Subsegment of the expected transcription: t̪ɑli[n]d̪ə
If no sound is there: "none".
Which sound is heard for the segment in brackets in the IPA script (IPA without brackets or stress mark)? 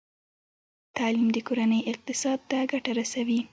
m